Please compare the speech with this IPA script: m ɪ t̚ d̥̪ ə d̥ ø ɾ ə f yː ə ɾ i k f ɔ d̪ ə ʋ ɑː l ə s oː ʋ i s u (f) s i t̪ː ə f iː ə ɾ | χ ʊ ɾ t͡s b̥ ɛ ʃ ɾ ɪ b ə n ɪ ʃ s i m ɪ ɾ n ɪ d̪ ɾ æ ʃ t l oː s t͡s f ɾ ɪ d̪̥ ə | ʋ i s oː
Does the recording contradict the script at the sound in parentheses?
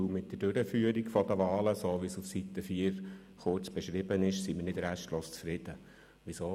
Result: no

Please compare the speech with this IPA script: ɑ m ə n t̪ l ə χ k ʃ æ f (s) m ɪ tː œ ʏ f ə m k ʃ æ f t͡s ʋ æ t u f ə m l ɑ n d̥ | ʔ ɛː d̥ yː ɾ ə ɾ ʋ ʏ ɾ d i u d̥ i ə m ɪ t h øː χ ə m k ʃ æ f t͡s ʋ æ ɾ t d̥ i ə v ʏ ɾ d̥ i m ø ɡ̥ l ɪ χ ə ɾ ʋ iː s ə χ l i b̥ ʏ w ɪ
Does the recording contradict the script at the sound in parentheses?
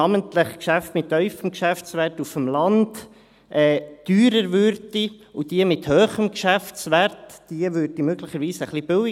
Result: yes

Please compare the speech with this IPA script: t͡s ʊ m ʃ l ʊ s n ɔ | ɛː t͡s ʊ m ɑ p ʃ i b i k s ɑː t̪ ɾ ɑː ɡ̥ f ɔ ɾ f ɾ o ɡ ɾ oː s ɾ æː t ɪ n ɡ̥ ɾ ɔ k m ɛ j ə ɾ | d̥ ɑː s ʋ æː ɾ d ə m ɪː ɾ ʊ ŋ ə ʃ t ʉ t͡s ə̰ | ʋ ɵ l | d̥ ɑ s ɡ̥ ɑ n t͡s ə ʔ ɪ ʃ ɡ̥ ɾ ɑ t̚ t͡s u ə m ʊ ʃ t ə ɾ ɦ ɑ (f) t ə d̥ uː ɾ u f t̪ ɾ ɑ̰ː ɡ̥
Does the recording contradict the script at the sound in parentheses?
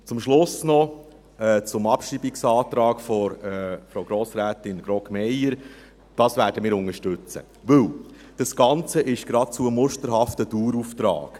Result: no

